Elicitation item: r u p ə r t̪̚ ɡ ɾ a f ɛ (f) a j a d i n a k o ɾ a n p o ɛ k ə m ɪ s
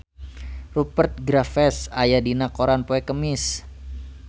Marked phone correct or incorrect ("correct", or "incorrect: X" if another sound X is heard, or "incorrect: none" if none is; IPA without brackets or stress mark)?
incorrect: s